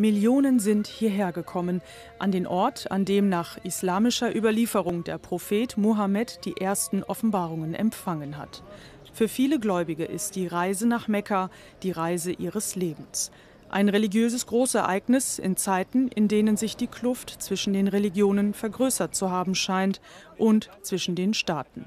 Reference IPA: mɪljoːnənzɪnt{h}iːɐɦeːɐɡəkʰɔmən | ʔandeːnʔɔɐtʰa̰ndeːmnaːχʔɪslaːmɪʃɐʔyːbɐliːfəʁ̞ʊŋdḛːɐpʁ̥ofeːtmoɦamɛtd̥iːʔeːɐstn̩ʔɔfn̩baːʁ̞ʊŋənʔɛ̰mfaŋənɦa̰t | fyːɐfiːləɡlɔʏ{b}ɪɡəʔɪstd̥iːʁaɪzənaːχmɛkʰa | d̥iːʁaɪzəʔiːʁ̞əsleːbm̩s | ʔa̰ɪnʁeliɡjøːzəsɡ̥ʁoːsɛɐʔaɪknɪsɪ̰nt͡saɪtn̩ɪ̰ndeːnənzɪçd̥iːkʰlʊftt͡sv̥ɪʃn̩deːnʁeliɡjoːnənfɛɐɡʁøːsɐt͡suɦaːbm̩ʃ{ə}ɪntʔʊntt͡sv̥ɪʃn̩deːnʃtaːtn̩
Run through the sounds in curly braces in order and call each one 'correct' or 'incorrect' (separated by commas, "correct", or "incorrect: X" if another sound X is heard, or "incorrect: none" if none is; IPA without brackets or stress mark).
correct, correct, incorrect: a